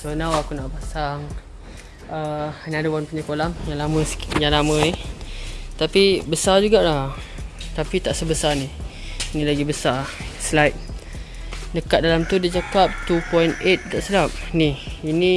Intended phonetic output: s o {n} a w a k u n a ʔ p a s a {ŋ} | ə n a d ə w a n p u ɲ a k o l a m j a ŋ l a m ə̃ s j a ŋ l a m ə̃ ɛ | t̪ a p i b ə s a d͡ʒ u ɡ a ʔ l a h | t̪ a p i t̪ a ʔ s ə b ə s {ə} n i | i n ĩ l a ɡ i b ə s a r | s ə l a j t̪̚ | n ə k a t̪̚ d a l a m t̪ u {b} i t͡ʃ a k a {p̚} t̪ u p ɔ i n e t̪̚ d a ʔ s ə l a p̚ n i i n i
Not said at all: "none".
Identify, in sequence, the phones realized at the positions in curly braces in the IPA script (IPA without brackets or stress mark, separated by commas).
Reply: n, ŋ, a, d, p̚